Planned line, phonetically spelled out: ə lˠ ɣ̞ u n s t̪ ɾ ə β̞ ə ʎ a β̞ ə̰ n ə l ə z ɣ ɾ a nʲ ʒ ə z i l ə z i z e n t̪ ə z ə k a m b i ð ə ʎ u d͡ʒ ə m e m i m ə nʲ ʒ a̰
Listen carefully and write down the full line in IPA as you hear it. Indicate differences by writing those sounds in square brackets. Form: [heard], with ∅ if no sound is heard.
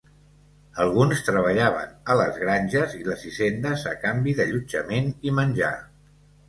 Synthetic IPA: ə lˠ ɣ̞ u n s t̪ ɾ ə β̞ ə ʎ a β̞ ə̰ n ə l ə z ɣ ɾ a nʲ ʒ ə z i l ə z i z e n [d̪] ə z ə k a m b i ð ə ʎ u d͡ʒ ə m e [n] i m ə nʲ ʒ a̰